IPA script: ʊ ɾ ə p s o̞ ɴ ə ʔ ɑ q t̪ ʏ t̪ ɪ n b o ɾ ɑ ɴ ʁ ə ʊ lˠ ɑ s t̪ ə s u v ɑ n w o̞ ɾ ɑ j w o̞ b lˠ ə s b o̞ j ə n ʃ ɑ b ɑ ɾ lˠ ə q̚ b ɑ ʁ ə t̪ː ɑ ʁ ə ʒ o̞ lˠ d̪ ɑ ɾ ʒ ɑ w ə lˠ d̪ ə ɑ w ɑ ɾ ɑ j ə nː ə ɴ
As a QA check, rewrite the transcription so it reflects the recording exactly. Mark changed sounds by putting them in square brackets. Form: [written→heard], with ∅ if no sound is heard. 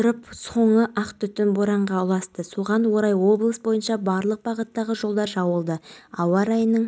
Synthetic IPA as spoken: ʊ ɾ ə p s o̞ ɴ ə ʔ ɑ q t̪ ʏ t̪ ɪ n b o ɾ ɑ ɴ ʁ [ə→ɑ] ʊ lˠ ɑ s t̪ ə s u [v→ʁ] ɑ n w o̞ ɾ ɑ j w o̞ b lˠ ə s b o̞ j ə n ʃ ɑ b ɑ ɾ lˠ ə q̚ b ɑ ʁ ə t̪ː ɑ ʁ ə ʒ o̞ lˠ d̪ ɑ ɾ ʒ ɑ w ə lˠ d̪ ə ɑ w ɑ ɾ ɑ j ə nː ə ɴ